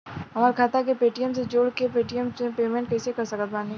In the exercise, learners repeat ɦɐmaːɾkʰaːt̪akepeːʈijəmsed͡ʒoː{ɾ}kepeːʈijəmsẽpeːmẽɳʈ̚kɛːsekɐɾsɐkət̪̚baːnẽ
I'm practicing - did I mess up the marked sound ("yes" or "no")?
yes